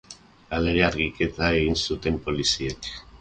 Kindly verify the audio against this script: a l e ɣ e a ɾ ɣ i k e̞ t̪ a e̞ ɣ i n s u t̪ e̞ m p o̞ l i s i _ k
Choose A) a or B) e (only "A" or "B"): B